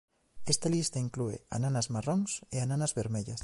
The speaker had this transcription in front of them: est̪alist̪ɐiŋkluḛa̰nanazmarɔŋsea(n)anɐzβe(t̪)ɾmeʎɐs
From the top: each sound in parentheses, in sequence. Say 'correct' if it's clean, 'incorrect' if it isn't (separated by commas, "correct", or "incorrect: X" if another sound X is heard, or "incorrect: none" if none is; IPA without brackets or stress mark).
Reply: correct, incorrect: none